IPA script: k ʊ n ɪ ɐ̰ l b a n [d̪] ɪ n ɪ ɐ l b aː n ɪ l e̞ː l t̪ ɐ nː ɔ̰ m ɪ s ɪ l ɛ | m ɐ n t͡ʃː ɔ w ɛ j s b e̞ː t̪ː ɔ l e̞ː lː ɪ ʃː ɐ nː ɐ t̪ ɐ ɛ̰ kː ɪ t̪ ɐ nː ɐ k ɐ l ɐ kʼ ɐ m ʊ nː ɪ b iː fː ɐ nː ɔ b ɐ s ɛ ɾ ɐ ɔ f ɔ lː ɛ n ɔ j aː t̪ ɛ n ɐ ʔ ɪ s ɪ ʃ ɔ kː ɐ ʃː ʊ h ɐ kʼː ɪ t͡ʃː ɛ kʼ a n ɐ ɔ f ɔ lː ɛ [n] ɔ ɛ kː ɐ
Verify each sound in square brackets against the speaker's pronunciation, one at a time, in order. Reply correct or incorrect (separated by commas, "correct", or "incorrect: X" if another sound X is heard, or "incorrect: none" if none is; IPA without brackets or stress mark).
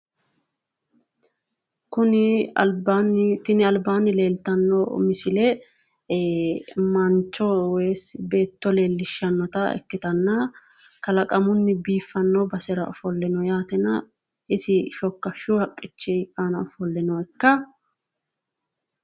incorrect: t̪, correct